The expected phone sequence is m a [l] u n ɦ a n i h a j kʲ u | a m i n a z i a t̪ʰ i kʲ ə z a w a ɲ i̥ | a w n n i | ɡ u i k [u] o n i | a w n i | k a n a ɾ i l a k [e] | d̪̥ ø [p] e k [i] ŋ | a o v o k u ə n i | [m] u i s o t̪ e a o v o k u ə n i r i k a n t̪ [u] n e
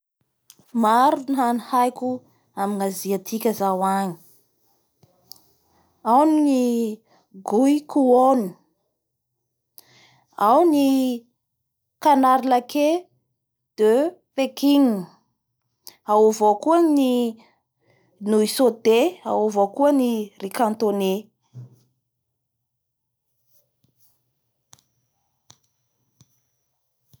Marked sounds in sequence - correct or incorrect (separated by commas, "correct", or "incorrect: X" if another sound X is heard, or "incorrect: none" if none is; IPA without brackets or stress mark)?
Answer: incorrect: ɾ, correct, correct, correct, correct, incorrect: n, incorrect: o